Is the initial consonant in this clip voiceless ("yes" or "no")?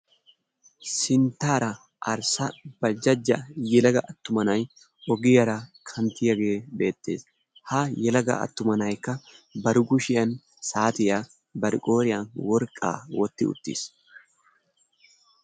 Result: yes